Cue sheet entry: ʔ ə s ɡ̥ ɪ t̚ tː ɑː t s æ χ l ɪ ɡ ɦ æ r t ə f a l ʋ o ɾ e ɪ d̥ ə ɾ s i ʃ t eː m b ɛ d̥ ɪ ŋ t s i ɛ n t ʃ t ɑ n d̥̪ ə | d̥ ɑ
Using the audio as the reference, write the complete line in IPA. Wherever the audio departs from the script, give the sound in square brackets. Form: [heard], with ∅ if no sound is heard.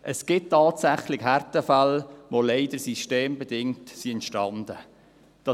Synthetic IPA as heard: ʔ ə s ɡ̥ ɪ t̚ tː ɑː t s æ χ l ɪ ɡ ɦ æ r t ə f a l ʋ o [l] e ɪ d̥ ə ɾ s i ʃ t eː m b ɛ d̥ ɪ ŋ t s i ɛ n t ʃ t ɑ n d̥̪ ə | d̥ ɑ